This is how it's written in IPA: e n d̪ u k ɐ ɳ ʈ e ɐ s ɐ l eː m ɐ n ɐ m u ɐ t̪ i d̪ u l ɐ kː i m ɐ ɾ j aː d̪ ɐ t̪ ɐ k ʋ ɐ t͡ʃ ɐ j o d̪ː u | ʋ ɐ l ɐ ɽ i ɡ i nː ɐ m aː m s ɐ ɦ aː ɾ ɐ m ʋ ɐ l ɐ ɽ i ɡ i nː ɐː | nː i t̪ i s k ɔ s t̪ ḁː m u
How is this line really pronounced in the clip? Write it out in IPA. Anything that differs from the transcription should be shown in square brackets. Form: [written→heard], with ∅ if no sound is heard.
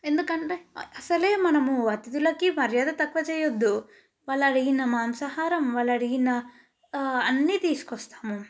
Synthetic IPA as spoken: e n d̪ u k ɐ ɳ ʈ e ɐ s ɐ l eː m ɐ n ɐ m u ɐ t̪ i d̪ u l ɐ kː i m ɐ ɾ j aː d̪ ɐ t̪ ɐ k ʋ ɐ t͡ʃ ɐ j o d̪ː u | ʋ ɐ l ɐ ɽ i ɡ i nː ɐ m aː m s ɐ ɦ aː ɾ ɐ m ʋ ɐ l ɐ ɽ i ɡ i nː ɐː | nː i t̪ i s k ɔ s t̪ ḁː m u